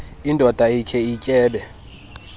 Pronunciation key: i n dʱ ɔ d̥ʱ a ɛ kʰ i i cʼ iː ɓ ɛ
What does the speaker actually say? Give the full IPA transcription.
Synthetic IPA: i n dʱ ɔ d̥ʱ a i kʰ ɛ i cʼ ɛː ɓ ɛ

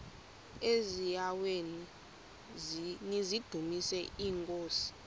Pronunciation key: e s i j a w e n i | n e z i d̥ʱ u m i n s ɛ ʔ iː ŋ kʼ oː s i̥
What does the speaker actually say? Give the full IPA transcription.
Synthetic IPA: e z i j a w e n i | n i z i d̥ʱ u m i s ɛ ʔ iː ŋ kʼ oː s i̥

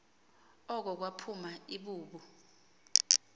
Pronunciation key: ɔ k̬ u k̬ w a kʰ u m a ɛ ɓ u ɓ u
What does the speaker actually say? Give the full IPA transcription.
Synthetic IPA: ɔ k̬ ɔ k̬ w a pʰ u m a i ɓ uː ɓ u

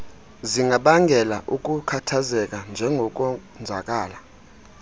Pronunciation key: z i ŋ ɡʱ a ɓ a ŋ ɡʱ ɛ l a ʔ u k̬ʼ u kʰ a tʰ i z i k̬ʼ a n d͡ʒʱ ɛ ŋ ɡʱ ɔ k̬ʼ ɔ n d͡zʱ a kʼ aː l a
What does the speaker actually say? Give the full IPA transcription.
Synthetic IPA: z i ŋ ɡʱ a ɓ a ŋ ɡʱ ɛ l a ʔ u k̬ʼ u kʰ a tʰ a z ɛ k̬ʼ a n d͡ʒʱ ɛ ŋ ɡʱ ɔ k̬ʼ ɔ n d͡zʱ a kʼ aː l a

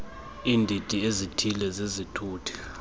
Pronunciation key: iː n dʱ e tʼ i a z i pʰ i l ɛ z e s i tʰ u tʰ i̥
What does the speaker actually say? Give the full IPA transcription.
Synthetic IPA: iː n dʱ i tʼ i e z i tʰ i l ɛ z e z i tʰ uː tʰ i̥

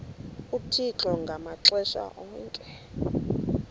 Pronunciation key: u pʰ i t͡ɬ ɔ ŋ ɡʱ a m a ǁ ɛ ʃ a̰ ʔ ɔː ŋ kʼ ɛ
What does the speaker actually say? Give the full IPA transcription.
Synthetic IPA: u tʰ i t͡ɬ ɔ ŋ ɡʱ a m a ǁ ɛ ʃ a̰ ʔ ɔː ŋ kʼ ɛ

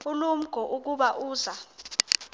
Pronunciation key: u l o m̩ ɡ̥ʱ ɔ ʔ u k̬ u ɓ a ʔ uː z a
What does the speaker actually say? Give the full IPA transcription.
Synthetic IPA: u l u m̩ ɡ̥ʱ ɔ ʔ u k̬ u ɓ a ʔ uː z a

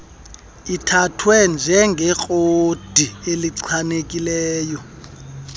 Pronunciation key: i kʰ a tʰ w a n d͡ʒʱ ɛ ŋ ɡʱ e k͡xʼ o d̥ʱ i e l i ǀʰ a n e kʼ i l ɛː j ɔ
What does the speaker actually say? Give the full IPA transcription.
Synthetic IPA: i tʰ a tʰ w ɛ n d͡ʒʱ ɛ ŋ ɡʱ ɛ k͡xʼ o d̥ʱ i e l i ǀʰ a n e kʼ i l ɛː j ɔ

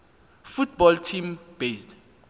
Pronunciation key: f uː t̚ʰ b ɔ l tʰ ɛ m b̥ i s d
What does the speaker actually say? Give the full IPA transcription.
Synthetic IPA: f u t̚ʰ b ɔ l tʰ i m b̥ e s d

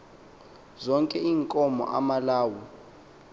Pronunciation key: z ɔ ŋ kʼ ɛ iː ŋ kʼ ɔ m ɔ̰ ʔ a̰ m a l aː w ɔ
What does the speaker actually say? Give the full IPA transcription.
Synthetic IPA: z ɔ ŋ kʼ ɛ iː ŋ kʼ ɔ m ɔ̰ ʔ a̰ m a l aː w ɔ

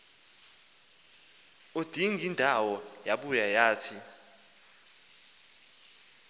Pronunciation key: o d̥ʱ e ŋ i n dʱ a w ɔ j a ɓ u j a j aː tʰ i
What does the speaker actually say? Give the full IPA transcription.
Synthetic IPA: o d̥ʱ i ŋ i n dʱ a w ɔ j a ɓ u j a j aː tʰ i

